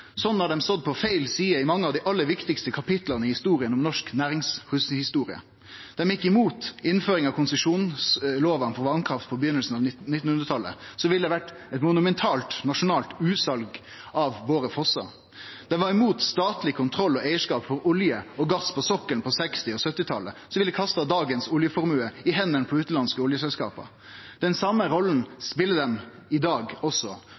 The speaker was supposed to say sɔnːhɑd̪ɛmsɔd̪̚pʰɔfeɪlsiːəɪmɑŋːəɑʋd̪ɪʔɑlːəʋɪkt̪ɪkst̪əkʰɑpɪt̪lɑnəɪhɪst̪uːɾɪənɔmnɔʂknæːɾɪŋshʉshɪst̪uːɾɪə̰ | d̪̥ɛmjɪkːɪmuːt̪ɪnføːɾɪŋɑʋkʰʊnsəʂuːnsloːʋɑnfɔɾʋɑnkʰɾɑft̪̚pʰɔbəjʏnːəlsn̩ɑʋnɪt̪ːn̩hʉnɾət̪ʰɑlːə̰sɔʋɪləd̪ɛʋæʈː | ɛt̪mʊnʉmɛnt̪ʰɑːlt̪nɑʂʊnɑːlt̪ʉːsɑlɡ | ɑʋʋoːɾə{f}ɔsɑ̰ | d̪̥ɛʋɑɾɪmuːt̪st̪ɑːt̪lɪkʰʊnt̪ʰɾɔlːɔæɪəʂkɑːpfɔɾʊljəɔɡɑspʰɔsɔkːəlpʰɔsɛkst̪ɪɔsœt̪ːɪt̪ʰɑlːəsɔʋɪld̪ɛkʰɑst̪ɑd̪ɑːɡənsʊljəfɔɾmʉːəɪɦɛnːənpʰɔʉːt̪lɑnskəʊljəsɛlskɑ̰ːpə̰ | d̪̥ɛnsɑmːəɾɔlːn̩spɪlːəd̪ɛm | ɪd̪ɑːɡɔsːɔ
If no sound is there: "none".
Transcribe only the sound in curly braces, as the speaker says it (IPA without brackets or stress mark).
f